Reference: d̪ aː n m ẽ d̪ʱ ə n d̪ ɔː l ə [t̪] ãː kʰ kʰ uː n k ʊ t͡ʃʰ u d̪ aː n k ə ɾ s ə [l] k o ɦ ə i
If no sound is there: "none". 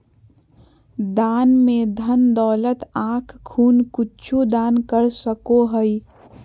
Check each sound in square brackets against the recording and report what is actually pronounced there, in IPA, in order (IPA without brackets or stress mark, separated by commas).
t̪, none